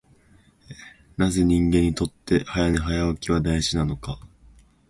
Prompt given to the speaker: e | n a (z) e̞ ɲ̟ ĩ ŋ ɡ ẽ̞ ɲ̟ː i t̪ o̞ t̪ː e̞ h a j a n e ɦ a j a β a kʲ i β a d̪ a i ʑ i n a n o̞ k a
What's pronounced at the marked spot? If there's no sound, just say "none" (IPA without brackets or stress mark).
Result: z